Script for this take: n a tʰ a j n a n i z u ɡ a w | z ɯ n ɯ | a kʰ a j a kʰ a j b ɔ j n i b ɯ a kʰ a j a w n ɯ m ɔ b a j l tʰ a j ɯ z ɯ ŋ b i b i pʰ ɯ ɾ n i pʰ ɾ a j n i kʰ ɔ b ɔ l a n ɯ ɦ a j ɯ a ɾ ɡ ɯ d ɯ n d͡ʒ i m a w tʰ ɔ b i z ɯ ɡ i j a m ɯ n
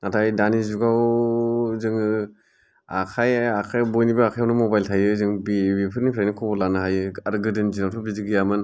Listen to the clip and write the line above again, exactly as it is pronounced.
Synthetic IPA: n a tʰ a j d a n i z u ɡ a w | z ɯ ŋ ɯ | a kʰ a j a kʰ a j b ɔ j n i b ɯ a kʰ a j a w n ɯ m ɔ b a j l tʰ a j ɯ z ɯ ŋ b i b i pʰ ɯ ɾ n i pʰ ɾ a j n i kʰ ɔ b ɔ l a n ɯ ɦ a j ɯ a ɾ ɡ ɯ d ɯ n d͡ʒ i n a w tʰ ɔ b i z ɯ ɡ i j a m ɯ n